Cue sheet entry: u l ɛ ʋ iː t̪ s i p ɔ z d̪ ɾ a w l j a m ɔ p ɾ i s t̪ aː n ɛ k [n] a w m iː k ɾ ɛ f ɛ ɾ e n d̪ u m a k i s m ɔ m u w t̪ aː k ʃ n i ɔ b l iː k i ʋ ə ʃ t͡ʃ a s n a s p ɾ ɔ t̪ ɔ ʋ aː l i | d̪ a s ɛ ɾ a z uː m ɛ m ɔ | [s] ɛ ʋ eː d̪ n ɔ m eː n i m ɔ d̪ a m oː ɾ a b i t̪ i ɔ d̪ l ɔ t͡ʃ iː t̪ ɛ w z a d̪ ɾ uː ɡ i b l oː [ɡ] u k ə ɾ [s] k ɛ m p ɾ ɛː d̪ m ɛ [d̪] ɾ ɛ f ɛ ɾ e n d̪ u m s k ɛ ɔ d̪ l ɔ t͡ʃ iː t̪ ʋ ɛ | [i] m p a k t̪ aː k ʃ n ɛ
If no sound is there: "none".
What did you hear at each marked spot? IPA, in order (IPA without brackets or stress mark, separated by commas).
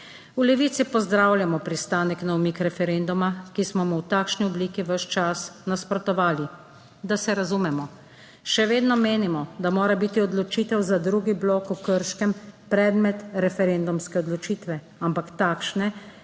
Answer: n, ʃ, k, ʃ, t̪, a